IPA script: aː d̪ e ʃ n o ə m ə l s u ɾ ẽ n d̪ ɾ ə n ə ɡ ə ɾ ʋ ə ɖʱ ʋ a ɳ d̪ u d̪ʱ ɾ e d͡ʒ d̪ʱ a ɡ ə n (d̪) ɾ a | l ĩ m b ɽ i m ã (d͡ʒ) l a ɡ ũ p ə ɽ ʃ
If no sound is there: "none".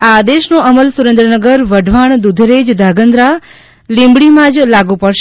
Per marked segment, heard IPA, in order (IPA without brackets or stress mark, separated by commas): d̪, d͡ʒ